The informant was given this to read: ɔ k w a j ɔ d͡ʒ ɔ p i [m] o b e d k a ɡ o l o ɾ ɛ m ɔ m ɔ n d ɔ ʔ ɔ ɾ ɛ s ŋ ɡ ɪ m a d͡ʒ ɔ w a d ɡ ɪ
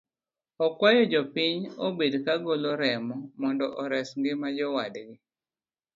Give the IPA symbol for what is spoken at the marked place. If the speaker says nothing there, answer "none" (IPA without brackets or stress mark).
ɲ